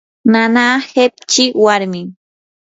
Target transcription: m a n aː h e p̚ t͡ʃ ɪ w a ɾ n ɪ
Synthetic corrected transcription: n a n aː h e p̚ t͡ʃ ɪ w a ɾ m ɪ